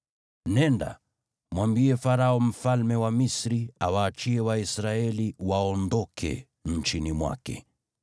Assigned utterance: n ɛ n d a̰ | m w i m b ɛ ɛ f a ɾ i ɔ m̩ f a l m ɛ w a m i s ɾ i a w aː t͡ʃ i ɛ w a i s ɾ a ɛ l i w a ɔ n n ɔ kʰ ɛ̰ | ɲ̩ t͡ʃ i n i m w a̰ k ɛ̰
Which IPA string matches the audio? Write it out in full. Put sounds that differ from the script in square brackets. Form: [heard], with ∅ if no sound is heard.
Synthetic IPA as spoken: n ɛ n d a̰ | m w [a] m b [i] ɛ f a ɾ [a] ɔ m̩ f a l m ɛ w a m i s ɾ i a w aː t͡ʃ i ɛ w a i s ɾ a ɛ l i w a ɔ n [d] ɔ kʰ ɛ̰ | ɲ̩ t͡ʃ i n i m w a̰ k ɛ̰